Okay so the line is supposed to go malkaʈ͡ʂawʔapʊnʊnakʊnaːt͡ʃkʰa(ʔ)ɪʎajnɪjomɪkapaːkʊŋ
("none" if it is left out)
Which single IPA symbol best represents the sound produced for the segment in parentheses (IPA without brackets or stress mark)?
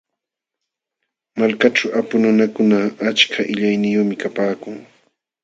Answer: ʔ